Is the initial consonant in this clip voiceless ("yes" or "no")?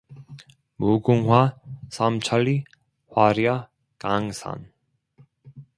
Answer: no